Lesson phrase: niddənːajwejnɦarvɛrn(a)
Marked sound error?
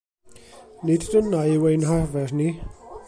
yes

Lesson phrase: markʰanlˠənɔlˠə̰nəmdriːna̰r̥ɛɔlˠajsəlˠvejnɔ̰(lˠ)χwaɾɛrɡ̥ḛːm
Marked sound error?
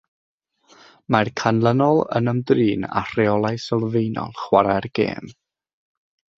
no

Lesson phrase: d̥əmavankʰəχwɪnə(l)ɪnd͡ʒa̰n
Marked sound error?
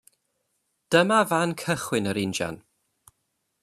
yes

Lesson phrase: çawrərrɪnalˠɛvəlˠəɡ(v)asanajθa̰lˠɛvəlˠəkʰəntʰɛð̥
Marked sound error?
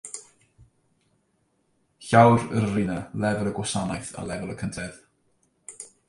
yes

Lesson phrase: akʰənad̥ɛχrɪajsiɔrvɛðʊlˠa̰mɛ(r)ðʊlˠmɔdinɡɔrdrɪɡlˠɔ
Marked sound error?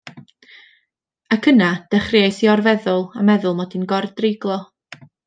yes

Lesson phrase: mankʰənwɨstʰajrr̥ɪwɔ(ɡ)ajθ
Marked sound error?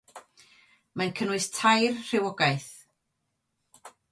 no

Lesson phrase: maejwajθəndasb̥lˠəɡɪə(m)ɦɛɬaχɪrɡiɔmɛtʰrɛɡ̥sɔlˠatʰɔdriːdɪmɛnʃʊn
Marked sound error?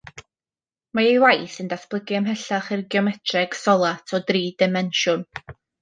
no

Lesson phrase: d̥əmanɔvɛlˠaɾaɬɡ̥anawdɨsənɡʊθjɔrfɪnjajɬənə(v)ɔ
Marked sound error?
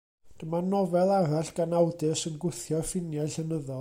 yes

